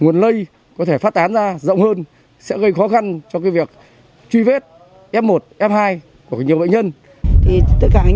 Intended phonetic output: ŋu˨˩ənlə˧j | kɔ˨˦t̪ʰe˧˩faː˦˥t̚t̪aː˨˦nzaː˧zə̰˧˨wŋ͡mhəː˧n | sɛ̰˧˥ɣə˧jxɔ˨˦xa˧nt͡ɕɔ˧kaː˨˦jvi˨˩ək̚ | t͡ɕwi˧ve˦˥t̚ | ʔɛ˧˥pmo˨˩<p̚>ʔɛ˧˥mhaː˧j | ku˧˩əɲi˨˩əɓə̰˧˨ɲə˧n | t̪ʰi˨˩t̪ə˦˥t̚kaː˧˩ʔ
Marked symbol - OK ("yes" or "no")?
no